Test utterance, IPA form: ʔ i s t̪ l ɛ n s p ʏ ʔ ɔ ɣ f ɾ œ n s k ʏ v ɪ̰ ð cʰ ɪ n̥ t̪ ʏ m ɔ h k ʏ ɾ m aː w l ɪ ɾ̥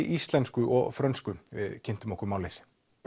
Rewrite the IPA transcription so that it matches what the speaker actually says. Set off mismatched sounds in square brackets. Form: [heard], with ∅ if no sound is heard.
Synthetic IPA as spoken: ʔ i s t̪ l ɛ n s [k] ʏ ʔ ɔ ɣ f ɾ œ n s k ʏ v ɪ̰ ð cʰ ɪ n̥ t̪ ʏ m ɔ h k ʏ ɾ m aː w l ɪ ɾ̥

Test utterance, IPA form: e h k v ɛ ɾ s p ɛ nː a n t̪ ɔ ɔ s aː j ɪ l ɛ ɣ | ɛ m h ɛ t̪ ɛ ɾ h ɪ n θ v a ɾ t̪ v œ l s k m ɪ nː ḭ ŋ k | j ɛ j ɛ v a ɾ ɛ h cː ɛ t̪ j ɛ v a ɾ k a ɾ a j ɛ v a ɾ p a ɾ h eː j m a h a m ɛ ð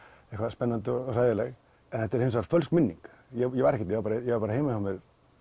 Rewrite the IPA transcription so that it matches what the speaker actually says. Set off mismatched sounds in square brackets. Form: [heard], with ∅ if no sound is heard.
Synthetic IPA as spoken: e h k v [a] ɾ s p ɛ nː a n t̪ ɔ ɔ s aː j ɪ l ɛ ɣ | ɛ [n] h ɛ t̪ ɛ ɾ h ɪ n [s] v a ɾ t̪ [f] œ l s k m ɪ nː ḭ ŋ k | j ɛ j ɛ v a ɾ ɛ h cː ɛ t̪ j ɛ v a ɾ [p] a ɾ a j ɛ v a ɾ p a ɾ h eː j m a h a m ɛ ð

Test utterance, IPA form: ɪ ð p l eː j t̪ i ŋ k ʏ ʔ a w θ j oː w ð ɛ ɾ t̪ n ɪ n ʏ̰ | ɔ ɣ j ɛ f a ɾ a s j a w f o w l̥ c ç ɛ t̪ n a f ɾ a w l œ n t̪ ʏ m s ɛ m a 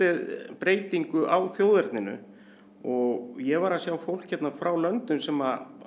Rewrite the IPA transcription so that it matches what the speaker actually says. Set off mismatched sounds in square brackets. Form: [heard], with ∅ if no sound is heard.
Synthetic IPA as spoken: ɪ ð p [ɾ] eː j t̪ i ŋ k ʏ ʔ a w θ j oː w ð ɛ ɾ t̪ n ɪ n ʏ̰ | ɔ ɣ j ɛ [v] a ɾ a s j a w f o w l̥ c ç ɛ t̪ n a f ɾ a w l œ n t̪ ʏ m s ɛ m a

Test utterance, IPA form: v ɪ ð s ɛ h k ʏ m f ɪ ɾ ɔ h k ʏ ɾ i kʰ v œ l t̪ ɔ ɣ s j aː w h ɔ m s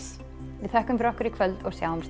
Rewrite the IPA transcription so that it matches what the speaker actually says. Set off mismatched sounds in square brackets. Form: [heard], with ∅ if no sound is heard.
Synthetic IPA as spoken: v ɪ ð [θ] ɛ h k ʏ m f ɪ ɾ ɔ h k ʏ ɾ i kʰ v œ l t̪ ɔ ɣ s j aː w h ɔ m s

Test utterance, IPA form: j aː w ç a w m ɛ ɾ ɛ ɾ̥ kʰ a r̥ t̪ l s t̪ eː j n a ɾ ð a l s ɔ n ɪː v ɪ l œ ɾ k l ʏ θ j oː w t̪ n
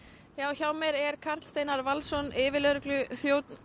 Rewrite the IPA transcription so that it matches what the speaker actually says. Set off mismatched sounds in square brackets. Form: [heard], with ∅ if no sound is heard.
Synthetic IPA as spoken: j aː w ç a w m ɛ ɾ ɛ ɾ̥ kʰ a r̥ t̪ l s t̪ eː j n a ɾ [v] a l s ɔ n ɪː v ɪ l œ ɾ k l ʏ θ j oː w t̪ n

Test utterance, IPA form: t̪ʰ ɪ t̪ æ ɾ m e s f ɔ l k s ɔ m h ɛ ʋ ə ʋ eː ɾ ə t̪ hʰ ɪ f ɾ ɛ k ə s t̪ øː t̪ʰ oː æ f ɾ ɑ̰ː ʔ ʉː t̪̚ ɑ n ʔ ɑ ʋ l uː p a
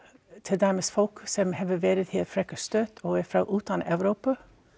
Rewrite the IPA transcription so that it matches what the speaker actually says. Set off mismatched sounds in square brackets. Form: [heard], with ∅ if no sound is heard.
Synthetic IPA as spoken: t̪ʰ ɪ [d̪] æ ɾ m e s f ɔ l k s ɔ m h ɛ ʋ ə ʋ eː ɾ ə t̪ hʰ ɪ f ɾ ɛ k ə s t̪ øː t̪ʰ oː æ f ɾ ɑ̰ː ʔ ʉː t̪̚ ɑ n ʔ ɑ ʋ [ɾ] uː p [ə]

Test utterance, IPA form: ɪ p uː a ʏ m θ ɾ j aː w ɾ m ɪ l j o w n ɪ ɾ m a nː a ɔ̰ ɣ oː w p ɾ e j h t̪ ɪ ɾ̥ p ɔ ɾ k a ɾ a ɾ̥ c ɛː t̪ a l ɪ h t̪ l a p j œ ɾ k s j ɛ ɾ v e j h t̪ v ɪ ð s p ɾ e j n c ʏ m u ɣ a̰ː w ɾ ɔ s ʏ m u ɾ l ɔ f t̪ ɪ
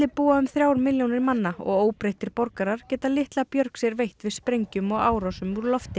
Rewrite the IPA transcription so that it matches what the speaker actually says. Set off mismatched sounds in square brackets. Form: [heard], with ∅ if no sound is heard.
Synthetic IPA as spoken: ɪ p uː a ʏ m θ ɾ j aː w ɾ m ɪ l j o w n ɪ ɾ m a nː a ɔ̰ ɣ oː w p ɾ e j h t̪ ɪ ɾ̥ p ɔ ɾ k a ɾ a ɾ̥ c ɛː t̪ a l ɪ h t̪ l a p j œ ɾ k s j ɛ ɾ v e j h t̪ v ɪ ð s p ɾ e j [ɲ] c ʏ m [ɔ] ɣ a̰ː w ɾ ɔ s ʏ m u ɾ l ɔ f t̪ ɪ

